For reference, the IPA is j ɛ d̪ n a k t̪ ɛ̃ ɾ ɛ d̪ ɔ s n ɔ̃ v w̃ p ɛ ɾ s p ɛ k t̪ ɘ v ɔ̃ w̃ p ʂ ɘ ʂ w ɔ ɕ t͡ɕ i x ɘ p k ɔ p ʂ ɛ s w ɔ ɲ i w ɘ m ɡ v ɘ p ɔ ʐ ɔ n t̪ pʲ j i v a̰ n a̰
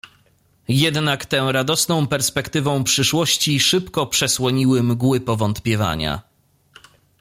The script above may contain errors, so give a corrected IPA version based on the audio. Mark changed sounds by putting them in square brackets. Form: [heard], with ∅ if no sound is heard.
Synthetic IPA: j ɛ d̪ n a k t̪ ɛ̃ ɾ [a] d̪ ɔ s n ɔ̃ [∅] w̃ p ɛ ɾ s p ɛ k t̪ ɘ v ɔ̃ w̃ p ʂ ɘ ʂ w ɔ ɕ t͡ɕ i [ʂ] ɘ p k ɔ p ʂ ɛ s w ɔ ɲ i w ɘ m ɡ [w] ɘ p ɔ [v] ɔ n t̪ pʲ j [ɛ] v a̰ [ɲ] a̰